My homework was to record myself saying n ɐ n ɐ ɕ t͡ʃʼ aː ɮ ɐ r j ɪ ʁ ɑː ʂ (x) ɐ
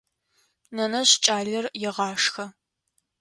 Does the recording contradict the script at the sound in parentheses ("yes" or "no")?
no